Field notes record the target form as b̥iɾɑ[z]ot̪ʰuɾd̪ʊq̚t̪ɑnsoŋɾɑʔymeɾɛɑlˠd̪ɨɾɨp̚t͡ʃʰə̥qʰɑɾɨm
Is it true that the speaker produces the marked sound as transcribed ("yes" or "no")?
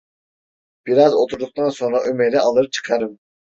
yes